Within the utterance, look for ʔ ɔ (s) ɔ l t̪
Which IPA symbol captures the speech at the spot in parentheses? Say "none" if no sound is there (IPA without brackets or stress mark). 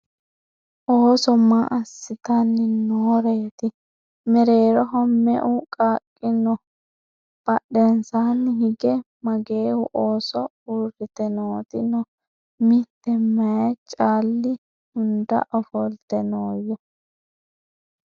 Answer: f